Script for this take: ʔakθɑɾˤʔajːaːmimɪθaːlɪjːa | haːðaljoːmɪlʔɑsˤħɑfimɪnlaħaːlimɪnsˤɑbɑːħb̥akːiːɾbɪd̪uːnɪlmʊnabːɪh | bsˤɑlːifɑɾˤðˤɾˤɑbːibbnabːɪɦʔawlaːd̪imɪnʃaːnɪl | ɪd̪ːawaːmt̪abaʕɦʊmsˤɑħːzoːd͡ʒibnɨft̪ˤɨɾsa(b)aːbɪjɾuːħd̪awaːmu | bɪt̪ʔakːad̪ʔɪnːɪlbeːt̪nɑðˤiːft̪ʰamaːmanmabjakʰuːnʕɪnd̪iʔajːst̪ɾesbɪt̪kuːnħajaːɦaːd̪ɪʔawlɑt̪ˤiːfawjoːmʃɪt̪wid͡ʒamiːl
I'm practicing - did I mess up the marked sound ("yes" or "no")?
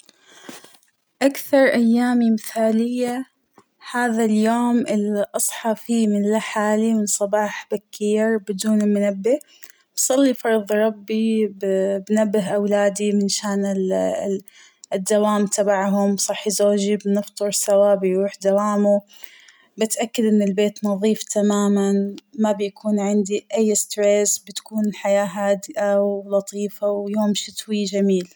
yes